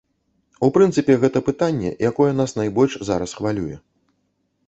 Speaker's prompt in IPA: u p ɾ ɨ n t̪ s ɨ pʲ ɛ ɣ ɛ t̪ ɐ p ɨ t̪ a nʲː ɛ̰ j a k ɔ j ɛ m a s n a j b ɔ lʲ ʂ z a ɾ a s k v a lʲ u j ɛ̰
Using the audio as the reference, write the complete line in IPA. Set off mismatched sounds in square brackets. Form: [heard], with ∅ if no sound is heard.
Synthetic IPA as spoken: u p ɾ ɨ n t̪ s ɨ pʲ ɛ ɣ ɛ t̪ ɐ p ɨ t̪ a nʲː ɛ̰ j a k ɔ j ɛ [n] a s n a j b ɔ lʲ ʂ z a ɾ [ɐ] s [x] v a lʲ u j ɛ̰